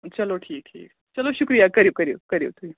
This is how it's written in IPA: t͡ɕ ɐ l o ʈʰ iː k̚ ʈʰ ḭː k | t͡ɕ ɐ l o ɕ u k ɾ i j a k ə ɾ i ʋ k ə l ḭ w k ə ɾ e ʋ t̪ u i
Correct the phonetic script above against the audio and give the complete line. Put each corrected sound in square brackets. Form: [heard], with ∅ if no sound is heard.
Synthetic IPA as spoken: t͡ɕ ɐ l o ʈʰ iː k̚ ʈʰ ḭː k | t͡ɕ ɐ l o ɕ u k ɾ i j a k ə ɾ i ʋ k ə [ɾ] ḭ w k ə ɾ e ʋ t̪ u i